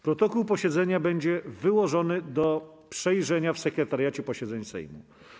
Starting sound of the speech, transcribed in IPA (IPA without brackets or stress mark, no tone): p